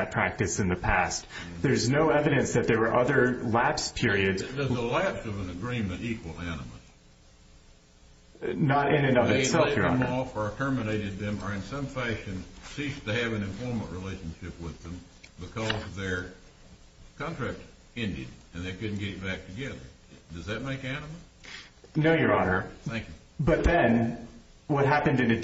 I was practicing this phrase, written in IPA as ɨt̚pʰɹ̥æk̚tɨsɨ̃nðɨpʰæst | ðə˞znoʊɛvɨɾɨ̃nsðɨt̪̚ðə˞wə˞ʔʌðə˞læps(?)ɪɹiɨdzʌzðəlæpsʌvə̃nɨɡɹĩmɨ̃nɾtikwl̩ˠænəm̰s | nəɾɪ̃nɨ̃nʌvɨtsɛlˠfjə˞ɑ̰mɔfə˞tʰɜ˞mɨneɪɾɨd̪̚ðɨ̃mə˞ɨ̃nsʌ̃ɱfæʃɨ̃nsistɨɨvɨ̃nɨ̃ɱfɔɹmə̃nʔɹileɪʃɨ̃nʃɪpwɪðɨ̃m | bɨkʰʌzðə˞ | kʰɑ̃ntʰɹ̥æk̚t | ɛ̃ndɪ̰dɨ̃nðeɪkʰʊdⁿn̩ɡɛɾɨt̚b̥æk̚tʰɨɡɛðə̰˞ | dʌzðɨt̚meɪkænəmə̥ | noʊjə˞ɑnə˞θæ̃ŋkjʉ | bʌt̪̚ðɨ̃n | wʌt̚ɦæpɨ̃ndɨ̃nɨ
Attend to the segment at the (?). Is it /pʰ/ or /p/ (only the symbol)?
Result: pʰ